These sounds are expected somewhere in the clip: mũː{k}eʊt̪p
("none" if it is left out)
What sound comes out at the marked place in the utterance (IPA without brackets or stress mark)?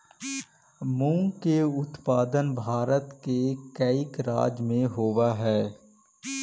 k